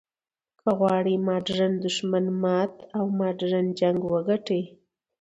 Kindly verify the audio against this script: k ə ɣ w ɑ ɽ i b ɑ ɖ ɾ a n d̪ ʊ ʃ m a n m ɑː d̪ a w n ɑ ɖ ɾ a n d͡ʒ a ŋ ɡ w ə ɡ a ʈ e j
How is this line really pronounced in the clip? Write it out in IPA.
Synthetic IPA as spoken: k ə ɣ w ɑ ɽ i m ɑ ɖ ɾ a n d̪ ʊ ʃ m a n m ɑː t̪ a w m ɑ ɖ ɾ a n d͡ʒ a ŋ ɡ w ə ɡ a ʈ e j